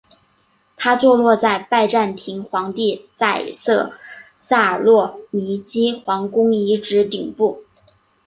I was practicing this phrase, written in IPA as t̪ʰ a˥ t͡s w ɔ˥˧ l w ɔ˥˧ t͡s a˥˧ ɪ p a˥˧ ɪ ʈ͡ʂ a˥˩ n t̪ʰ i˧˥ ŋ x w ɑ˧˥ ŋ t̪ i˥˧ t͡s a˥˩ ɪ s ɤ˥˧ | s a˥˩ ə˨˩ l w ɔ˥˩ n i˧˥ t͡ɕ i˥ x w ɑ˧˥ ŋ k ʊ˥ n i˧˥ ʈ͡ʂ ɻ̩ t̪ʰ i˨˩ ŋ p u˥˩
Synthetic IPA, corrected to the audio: t̪ʰ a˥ t͡s w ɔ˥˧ l w ɔ˥˧ t͡s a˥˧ ɪ p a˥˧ ɪ ʈ͡ʂ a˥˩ n t̪ʰ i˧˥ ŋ x w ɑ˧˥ ŋ t̪ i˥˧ t͡s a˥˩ ɪ s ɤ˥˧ | s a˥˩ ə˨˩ l w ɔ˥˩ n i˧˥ t͡ɕ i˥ x w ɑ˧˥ ŋ k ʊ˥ ŋ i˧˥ ʈ͡ʂ ɻ̩ t̪ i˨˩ ŋ p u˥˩